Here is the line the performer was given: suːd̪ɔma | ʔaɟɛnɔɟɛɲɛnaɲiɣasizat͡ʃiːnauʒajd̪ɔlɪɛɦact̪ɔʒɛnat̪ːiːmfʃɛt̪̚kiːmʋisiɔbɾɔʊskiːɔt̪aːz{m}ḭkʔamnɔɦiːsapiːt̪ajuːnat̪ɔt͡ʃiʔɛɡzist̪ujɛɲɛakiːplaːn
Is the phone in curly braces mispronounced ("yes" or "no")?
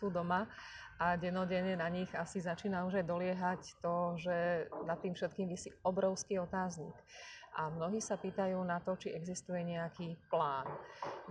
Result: yes